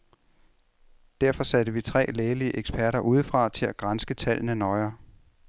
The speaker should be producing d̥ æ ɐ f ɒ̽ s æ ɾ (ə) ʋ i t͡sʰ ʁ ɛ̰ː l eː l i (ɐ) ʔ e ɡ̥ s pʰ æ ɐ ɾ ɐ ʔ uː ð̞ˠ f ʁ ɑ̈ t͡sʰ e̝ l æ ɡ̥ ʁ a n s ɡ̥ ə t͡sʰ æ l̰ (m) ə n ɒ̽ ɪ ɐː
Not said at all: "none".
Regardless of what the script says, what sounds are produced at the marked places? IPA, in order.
ə, ə, n

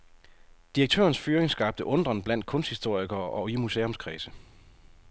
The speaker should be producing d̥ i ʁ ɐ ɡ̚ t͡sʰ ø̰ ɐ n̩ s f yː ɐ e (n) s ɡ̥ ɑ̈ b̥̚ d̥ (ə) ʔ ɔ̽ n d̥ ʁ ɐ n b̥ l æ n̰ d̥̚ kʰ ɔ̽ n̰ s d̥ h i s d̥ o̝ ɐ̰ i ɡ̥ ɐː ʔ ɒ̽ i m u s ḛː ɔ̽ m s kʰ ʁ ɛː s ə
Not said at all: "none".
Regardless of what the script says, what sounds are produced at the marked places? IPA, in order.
ŋ, ə

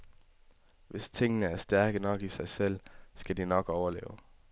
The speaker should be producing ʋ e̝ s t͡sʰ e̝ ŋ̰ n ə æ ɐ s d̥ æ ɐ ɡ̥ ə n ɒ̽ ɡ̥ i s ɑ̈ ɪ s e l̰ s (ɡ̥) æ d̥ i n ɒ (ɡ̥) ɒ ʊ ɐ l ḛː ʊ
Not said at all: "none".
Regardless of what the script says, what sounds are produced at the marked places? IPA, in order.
ɡ̥, ɡ̥

